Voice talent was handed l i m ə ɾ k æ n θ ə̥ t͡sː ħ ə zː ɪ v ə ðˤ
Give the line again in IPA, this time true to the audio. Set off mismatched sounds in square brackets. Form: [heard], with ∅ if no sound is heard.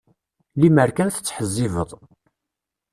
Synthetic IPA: l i m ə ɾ k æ n θ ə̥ t͡sː ħ ə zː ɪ v ə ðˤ